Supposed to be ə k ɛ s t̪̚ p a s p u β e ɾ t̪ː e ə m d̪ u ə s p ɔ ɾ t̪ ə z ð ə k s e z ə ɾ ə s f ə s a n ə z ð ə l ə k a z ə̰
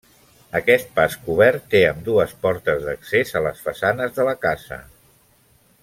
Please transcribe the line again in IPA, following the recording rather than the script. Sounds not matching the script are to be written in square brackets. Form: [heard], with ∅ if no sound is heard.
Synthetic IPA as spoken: ə k ɛ s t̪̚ p a s [k] u β [ɛ] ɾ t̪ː e ə m d̪ u ə s p ɔ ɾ t̪ ə z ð ə k s e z ə [l] ə s f ə s a n ə z ð ə l ə k a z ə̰